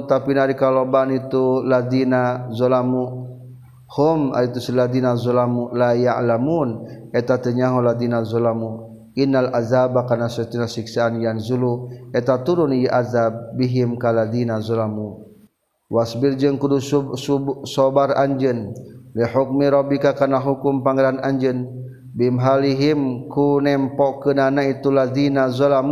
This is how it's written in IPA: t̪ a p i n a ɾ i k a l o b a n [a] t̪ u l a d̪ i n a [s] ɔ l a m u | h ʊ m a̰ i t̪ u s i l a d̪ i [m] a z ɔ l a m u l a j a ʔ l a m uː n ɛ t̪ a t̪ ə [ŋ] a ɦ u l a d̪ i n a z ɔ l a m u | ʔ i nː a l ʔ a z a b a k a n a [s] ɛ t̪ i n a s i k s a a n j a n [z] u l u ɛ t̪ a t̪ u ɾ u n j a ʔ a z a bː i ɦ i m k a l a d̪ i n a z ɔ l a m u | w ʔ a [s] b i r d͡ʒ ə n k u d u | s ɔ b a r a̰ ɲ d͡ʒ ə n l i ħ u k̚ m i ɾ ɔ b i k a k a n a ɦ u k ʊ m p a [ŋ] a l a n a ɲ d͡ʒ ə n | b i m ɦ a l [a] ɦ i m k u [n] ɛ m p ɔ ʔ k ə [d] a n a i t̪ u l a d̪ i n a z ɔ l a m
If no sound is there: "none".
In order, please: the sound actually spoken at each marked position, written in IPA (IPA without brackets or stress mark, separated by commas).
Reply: i, z, n, ɲ, s, z, s, ŋ, i, n, n